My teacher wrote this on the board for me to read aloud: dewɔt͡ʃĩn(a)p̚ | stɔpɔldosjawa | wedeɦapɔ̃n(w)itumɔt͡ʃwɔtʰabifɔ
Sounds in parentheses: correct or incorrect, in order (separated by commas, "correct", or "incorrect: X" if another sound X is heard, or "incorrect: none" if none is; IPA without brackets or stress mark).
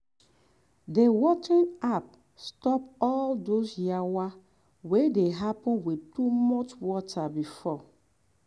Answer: correct, correct